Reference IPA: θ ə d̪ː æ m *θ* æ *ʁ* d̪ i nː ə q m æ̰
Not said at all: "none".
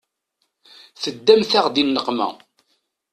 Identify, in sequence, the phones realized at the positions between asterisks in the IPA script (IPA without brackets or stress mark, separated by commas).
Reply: θ, ʁ